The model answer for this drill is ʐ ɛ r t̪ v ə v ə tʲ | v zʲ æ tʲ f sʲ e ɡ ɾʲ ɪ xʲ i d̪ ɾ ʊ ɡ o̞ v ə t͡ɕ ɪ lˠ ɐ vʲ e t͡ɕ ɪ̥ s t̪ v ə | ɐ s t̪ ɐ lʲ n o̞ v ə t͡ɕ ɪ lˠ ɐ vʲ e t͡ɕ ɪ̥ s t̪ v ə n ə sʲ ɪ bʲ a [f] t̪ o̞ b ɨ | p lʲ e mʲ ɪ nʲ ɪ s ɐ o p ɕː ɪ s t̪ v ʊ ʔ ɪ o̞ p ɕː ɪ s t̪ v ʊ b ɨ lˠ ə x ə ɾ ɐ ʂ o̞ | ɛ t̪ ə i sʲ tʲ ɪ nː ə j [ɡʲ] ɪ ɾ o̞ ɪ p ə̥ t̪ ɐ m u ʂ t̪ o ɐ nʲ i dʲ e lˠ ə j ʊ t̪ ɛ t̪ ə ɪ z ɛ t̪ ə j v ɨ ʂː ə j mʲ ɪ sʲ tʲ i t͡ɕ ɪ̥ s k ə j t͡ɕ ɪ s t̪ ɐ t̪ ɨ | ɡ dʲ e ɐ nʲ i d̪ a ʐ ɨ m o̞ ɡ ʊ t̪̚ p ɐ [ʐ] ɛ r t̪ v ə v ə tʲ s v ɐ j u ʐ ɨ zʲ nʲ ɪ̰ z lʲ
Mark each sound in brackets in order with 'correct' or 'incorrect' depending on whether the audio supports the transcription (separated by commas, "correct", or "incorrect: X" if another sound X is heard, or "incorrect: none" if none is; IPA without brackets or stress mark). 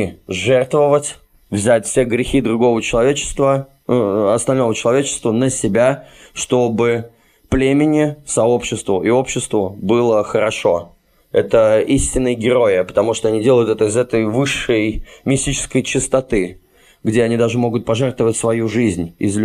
incorrect: ʂ, correct, correct